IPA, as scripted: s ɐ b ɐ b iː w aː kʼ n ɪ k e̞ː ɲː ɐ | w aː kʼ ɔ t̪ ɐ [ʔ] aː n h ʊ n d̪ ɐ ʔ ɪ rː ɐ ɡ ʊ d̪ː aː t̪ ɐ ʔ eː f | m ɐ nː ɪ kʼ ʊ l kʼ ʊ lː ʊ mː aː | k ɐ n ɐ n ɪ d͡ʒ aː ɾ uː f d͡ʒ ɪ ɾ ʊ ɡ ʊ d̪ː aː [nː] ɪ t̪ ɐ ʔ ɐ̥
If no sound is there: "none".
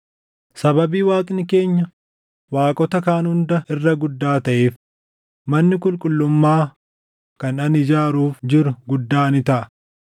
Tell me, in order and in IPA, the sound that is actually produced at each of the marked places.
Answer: k, n

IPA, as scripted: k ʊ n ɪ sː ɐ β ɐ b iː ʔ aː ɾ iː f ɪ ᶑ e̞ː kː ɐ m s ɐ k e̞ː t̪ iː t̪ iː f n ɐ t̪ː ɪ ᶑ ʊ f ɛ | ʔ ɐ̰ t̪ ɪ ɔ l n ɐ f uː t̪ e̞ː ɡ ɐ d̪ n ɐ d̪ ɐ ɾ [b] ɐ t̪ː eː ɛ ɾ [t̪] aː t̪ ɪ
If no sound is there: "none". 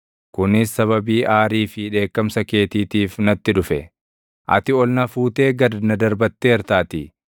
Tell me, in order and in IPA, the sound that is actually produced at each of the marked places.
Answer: b, t̪

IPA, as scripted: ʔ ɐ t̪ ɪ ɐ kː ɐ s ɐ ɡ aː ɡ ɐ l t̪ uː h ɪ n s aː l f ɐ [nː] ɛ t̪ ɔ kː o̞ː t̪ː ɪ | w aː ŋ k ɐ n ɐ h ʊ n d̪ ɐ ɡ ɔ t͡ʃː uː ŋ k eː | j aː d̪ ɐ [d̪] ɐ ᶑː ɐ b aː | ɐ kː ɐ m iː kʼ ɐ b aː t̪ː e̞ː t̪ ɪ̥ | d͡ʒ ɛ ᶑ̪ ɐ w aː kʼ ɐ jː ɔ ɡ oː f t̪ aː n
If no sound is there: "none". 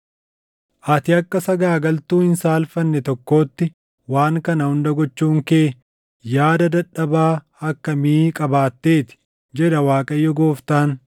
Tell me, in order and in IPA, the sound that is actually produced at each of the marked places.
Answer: nː, d̪

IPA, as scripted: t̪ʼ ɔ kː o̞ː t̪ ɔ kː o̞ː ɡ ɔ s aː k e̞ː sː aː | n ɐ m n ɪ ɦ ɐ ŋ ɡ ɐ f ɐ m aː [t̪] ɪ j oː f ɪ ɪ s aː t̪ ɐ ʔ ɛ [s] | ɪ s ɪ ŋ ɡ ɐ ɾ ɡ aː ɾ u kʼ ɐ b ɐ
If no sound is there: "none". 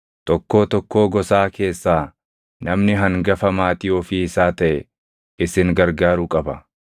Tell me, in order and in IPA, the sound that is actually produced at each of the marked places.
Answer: t̪, none

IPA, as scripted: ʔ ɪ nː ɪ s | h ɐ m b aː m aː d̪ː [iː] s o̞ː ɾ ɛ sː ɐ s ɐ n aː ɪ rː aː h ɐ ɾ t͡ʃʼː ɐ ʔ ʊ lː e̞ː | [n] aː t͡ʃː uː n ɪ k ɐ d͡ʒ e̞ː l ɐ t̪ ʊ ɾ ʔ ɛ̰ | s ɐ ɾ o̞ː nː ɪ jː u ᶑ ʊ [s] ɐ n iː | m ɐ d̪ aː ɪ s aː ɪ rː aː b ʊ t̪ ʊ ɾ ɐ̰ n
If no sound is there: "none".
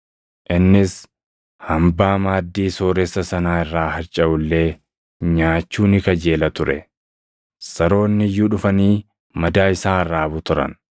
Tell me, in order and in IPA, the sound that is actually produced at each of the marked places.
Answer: iː, ɲ, f

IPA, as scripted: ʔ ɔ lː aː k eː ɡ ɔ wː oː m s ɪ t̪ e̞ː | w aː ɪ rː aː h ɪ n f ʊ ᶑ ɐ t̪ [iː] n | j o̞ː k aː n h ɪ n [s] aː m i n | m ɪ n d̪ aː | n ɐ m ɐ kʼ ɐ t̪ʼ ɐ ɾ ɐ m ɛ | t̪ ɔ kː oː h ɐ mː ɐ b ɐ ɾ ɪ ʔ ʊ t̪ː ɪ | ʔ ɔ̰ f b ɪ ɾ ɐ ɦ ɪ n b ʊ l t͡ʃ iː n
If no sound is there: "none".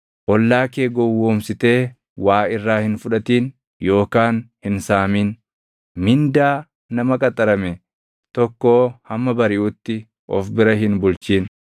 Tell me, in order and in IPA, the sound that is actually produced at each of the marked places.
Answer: iː, s

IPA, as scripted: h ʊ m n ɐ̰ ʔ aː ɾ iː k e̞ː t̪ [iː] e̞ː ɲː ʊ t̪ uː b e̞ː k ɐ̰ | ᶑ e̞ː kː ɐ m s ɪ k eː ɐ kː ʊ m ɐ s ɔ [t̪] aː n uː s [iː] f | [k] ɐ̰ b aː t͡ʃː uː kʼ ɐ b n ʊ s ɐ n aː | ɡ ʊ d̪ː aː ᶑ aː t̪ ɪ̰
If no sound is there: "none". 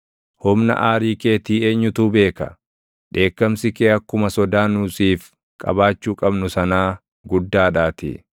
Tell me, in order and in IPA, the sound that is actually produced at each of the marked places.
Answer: iː, d̪, iː, kʼ

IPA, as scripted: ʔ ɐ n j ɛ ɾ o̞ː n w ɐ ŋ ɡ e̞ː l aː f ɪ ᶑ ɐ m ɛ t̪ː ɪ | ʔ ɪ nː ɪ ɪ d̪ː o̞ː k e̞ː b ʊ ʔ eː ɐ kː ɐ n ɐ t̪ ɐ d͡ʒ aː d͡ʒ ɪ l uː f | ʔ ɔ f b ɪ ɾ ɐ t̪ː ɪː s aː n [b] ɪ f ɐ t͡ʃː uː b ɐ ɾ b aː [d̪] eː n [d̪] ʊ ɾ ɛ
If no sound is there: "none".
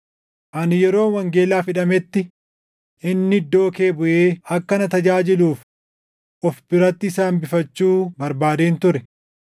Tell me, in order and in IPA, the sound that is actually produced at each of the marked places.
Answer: b, d̪, t̪

